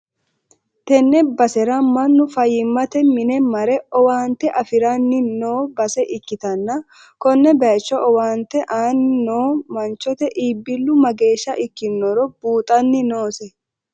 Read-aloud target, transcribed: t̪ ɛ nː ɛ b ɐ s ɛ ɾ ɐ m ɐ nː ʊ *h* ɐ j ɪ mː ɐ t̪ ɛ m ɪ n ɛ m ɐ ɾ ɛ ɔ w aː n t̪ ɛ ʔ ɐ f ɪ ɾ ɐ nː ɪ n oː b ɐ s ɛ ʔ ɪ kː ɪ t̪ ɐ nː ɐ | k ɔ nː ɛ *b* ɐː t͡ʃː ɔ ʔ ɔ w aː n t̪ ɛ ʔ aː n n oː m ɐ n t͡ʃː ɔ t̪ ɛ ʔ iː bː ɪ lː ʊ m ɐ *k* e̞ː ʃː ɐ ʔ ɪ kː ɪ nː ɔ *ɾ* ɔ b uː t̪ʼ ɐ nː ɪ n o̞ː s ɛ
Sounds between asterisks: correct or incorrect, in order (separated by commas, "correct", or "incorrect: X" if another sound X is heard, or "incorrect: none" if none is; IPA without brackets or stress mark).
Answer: incorrect: f, correct, incorrect: ɡ, correct